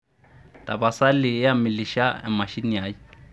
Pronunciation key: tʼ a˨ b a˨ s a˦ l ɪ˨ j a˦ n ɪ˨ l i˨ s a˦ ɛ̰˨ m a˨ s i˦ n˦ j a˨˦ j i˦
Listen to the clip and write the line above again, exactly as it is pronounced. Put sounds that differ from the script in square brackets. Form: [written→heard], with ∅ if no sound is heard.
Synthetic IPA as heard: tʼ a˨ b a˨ s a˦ l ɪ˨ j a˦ [n→m] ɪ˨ l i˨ [s→ʃ] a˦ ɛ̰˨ m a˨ [s→ʃ] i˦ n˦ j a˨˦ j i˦